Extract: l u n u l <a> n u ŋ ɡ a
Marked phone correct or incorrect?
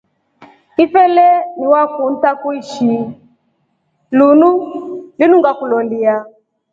incorrect